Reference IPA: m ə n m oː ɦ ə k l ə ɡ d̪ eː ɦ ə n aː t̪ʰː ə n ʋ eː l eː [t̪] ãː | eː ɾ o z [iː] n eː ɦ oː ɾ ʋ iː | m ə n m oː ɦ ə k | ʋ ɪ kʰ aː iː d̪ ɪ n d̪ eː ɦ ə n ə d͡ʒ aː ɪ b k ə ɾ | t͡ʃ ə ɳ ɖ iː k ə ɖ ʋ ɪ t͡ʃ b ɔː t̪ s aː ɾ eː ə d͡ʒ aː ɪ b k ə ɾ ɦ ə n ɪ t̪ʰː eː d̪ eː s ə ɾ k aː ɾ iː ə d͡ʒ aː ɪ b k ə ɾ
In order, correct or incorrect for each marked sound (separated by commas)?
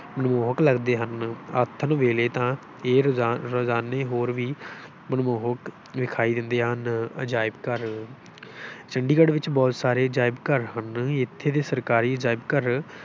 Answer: correct, incorrect